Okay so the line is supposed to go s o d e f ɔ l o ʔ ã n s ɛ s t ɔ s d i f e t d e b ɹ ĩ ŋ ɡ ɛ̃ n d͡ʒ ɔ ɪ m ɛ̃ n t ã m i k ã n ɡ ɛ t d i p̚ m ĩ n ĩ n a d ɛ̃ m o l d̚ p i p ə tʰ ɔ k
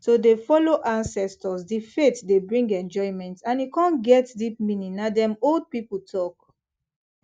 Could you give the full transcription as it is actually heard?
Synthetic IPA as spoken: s o d e f ɔ l o ʔ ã n s ɛ s t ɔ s d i f e t d e b ɹ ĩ ŋ ɡ ɛ̃ n d͡ʒ ɔ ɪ m ɛ̃ n t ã n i k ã n ɡ ɛ t d i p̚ m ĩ n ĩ n a d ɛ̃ m o l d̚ p i p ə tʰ ɔ k